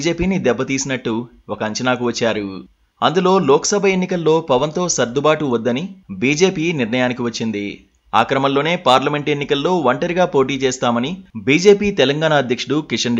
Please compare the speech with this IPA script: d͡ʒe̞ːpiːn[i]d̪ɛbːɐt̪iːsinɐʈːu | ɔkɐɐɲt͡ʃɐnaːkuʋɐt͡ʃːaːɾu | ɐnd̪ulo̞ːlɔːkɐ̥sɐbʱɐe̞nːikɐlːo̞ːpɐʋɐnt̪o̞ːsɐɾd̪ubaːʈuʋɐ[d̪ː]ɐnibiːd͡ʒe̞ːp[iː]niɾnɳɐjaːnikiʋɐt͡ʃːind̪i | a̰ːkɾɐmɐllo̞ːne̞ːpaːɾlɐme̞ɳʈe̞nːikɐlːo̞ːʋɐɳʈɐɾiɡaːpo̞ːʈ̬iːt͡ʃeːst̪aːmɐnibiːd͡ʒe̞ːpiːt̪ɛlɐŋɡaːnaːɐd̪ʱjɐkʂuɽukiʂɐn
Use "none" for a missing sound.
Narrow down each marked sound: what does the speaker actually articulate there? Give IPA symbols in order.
i, d̪ː, iː

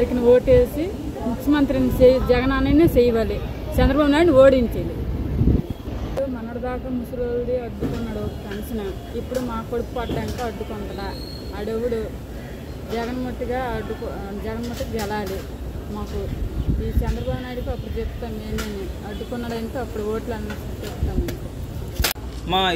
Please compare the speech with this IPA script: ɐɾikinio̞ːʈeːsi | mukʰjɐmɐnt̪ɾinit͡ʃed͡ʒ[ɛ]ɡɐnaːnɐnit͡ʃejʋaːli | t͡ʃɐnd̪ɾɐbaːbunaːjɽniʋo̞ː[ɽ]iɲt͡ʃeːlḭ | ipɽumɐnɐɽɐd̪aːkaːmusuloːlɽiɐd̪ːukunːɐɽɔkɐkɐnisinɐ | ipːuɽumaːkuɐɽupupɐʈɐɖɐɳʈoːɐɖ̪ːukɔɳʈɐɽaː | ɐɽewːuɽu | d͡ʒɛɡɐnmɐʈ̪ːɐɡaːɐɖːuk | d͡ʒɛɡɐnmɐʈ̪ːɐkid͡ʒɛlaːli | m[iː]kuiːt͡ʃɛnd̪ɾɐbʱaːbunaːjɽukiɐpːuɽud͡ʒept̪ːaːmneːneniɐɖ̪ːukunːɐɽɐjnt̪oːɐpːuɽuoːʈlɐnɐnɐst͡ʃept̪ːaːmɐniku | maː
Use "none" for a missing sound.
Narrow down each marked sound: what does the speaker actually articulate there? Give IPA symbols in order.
ɛ, ɽ, aː

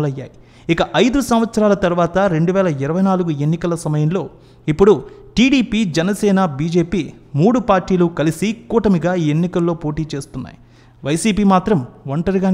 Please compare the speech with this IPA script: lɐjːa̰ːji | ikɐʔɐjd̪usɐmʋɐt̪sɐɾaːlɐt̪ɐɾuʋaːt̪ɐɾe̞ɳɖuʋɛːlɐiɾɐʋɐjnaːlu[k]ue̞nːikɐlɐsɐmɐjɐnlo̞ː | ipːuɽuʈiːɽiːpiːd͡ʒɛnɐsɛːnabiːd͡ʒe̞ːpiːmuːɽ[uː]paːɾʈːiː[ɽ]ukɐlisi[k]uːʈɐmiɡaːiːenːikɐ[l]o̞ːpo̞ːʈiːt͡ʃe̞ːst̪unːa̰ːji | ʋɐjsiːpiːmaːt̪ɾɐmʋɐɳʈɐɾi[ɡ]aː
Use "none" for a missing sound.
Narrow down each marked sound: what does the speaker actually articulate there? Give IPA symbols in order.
ɡ, u, l, k, lː, ɡ

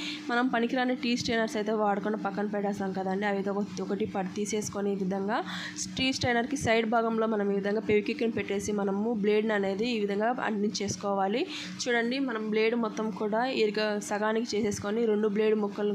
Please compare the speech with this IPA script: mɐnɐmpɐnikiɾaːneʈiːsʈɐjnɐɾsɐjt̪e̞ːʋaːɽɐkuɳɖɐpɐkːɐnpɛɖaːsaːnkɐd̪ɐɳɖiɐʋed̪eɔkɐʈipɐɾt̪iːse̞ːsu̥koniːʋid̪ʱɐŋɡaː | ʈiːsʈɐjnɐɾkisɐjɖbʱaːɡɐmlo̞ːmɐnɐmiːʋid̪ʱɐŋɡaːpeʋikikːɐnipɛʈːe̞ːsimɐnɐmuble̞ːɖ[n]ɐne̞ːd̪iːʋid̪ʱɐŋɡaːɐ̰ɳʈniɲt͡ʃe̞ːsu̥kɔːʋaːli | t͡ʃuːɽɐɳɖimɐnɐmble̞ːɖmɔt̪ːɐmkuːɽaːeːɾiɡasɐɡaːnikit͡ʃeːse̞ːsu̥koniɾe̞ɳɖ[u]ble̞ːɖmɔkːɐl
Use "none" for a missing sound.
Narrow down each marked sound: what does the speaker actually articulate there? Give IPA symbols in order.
n, u

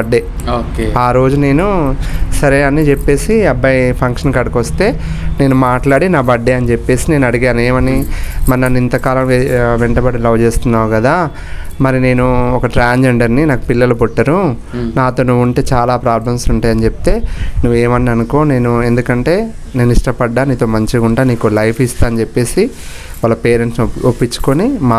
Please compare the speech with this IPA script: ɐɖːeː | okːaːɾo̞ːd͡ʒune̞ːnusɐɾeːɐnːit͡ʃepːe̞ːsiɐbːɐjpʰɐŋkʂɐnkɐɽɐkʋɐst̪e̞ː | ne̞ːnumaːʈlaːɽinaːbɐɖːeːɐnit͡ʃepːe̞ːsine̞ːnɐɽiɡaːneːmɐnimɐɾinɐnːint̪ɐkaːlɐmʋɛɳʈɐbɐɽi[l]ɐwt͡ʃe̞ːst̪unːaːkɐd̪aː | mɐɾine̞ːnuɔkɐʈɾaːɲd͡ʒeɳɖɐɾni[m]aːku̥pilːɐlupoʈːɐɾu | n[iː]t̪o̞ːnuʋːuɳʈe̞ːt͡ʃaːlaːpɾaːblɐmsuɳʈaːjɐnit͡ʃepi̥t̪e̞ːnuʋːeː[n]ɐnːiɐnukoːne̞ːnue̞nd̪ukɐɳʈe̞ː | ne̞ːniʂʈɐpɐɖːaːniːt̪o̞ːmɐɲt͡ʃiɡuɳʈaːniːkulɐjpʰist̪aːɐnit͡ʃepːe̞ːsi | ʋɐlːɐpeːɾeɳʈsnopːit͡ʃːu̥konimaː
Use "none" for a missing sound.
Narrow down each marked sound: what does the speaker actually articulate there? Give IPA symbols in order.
l, n, aː, m

